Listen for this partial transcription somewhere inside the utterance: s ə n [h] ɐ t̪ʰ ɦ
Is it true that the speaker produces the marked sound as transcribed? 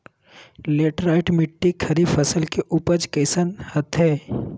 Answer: yes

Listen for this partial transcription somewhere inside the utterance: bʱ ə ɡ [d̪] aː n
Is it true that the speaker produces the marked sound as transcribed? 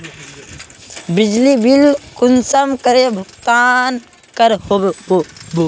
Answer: no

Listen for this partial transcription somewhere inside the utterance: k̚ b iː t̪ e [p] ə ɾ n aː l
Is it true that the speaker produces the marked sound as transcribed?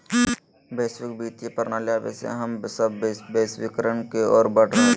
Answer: yes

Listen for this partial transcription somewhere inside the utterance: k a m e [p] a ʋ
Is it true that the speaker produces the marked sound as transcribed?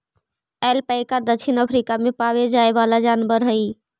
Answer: yes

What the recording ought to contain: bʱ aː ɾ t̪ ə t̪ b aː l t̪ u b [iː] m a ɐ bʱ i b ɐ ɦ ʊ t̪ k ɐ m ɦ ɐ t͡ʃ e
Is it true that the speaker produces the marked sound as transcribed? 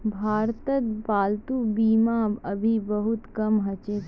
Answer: yes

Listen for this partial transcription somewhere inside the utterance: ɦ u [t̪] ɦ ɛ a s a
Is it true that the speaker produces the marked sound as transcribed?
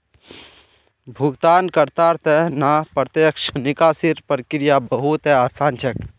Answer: yes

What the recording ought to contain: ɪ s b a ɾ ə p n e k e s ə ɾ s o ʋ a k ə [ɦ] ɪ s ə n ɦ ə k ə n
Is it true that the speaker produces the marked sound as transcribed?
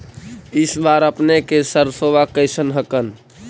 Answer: no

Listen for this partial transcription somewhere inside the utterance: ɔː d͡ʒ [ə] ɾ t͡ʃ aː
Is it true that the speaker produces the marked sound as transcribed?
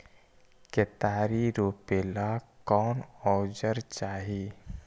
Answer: yes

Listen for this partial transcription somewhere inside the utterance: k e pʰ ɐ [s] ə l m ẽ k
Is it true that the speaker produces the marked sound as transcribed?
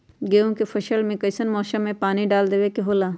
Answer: no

